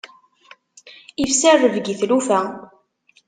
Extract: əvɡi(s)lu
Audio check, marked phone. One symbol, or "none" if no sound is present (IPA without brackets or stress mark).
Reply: θ